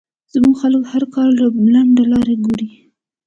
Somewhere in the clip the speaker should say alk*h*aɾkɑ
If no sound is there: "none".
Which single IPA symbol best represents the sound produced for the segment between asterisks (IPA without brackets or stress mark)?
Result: h